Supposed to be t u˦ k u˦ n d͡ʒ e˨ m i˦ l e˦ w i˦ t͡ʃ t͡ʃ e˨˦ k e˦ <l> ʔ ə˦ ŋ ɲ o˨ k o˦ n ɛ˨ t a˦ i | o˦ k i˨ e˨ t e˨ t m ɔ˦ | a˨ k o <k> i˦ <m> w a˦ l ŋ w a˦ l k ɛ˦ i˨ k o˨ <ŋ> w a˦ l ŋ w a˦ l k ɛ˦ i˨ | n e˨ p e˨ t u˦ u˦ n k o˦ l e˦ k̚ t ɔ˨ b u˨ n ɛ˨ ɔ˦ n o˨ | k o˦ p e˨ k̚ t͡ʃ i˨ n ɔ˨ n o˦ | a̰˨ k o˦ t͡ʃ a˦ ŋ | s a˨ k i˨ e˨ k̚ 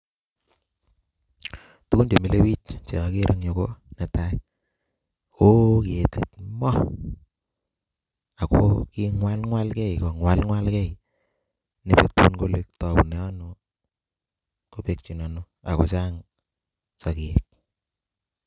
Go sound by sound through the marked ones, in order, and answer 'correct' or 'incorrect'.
incorrect: ɾ, correct, incorrect: ŋ, correct

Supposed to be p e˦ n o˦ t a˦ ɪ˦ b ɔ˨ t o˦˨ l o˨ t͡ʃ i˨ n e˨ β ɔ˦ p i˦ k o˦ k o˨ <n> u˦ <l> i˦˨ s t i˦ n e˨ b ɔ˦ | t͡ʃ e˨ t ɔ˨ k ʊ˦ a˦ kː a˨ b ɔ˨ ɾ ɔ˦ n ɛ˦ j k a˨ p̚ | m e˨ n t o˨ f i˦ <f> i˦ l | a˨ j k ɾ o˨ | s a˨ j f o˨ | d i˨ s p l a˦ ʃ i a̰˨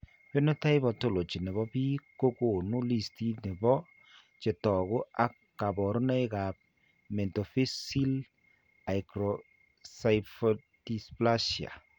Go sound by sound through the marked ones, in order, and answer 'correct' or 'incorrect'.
correct, correct, incorrect: s

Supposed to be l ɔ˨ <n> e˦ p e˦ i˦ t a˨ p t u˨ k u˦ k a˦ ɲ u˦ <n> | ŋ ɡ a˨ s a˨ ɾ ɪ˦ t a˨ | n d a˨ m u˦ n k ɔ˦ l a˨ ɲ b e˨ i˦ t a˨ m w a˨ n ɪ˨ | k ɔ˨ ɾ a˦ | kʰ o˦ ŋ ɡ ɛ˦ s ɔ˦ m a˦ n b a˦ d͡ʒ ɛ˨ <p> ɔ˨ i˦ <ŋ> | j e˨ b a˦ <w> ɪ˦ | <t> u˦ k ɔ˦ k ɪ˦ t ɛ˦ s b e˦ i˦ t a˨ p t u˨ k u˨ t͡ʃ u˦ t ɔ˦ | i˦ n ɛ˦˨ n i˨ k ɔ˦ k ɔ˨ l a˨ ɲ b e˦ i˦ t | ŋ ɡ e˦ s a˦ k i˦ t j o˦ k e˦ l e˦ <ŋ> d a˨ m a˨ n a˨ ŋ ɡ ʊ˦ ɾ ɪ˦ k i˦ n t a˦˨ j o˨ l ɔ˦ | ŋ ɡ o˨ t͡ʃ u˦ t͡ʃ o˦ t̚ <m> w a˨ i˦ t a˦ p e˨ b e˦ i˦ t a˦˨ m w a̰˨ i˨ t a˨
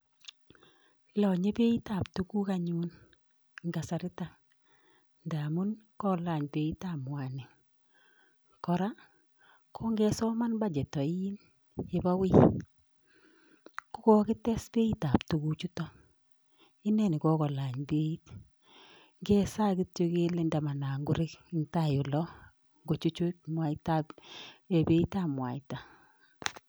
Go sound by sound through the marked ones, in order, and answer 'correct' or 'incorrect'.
incorrect: ɲ, correct, incorrect: t, incorrect: n, correct, incorrect: k, incorrect: n, correct

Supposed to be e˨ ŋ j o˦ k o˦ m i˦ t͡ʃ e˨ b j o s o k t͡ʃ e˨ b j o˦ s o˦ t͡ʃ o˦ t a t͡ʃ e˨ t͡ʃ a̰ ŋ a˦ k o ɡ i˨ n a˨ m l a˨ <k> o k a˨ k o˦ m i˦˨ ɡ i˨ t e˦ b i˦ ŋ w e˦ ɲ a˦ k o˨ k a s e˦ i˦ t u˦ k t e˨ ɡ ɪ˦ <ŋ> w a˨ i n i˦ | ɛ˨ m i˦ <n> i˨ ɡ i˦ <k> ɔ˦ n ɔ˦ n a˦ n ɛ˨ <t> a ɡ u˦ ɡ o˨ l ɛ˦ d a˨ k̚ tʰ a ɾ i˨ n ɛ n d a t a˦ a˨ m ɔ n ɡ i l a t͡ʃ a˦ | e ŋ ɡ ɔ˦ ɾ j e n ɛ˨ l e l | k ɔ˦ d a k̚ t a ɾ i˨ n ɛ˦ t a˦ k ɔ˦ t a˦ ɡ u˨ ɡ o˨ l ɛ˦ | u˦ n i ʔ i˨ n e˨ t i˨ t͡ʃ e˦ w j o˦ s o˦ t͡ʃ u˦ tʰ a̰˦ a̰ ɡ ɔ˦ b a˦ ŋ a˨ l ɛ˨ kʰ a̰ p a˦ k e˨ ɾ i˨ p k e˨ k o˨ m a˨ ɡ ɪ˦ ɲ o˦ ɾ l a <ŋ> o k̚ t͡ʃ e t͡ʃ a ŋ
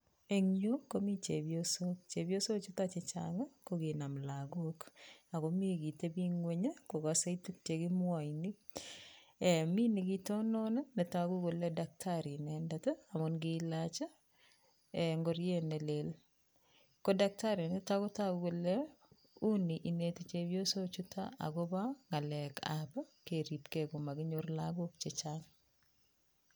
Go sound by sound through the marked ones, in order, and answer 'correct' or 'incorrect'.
incorrect: ɡ, incorrect: m, correct, incorrect: t, correct, incorrect: ɡ

